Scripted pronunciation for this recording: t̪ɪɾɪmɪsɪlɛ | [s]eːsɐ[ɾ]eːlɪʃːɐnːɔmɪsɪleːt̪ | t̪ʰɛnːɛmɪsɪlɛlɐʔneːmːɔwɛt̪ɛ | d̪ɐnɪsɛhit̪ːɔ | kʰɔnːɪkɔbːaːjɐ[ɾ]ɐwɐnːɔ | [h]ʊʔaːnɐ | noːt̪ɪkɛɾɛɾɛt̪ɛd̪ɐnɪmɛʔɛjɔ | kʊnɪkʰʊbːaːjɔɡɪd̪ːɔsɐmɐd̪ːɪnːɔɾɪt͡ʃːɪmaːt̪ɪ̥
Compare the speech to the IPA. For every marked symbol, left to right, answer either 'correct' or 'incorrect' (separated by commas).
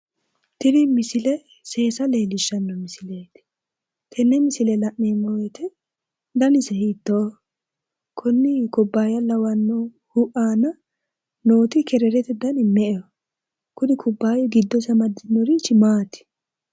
correct, incorrect, incorrect, correct